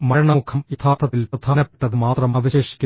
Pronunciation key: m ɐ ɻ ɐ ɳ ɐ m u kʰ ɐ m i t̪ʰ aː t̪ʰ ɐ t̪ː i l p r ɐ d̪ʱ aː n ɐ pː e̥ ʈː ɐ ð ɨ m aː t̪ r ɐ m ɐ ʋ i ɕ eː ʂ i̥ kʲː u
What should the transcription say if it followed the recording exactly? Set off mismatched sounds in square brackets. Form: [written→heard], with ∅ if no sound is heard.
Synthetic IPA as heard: m ɐ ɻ ɐ ɳ ɐ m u kʰ ɐ m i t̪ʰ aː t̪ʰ ɐ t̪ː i l p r ɐ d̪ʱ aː n ɐ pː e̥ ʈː ɐ ð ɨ m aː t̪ r ɐ m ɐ ʋ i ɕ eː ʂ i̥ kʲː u